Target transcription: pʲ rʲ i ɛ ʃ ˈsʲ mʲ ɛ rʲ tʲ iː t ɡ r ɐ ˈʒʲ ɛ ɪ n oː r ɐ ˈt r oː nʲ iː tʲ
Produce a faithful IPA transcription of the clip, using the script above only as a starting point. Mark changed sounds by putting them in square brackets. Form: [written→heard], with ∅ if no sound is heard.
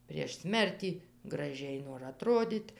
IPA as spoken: pʲ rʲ i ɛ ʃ ˈsʲ mʲ ɛ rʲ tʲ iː [t→∅] ɡ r ɐ ˈʒʲ ɛ ɪ n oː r ɐ ˈt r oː [nʲ→dʲ] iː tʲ